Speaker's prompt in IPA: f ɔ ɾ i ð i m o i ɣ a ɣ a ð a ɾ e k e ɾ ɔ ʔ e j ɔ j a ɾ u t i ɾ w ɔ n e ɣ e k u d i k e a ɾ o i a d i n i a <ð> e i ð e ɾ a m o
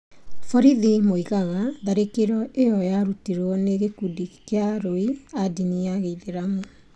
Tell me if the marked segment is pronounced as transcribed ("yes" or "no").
no